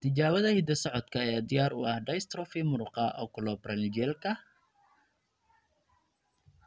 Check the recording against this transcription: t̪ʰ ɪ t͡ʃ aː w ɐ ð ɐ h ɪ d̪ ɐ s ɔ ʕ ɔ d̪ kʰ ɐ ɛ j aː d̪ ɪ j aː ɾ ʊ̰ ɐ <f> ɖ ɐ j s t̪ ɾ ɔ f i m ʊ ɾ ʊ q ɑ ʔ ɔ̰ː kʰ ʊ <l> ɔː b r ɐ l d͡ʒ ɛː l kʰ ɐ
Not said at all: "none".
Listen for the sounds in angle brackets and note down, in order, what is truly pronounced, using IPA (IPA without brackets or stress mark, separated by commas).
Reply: h, l